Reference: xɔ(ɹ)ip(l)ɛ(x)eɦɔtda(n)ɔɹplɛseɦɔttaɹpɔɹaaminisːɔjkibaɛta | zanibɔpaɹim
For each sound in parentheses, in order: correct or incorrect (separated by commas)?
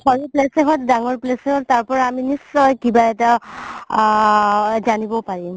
correct, correct, incorrect, incorrect